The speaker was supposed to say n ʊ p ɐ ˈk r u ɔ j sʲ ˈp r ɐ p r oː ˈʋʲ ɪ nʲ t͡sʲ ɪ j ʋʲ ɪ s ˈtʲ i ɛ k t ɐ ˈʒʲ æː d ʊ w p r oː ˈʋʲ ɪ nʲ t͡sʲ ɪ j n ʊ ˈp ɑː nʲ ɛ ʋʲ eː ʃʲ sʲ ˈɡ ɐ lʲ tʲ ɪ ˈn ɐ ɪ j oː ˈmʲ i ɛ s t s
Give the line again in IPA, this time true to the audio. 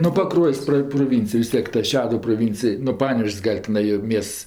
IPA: n ʊ p ɐ ˈk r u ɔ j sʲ ˈp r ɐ p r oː ˈʋʲ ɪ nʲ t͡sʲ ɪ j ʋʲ ɪ s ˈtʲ i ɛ k t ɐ ˈʃʲ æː d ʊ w p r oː ˈʋʲ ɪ nʲ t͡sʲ ɪ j n ʊ ˈp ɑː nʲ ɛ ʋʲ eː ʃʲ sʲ ˈɡ ɐ lʲ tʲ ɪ ˈn ɐ ɪ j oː ˈmʲ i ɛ s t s